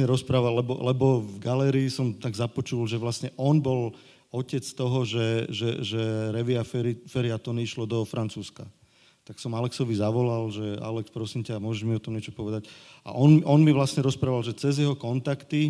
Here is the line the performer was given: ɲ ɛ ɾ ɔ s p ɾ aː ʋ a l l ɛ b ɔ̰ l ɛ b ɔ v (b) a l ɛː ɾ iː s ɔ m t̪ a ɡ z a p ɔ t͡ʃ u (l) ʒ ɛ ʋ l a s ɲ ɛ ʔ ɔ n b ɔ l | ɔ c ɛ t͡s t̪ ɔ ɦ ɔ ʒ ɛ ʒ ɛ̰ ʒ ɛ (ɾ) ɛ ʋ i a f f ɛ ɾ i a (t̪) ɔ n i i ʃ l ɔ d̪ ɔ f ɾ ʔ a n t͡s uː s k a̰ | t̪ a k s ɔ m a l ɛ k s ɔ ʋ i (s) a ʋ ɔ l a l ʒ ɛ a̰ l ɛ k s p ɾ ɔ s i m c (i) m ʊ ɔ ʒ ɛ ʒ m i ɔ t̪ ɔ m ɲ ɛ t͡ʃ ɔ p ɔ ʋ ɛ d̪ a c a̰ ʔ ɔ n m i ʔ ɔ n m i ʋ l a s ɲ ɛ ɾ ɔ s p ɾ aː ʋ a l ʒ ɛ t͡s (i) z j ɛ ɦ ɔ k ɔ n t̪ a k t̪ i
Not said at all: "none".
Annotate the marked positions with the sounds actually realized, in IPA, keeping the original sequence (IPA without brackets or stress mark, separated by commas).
ɡ, l, ɾ, t̪, z, a, ɛ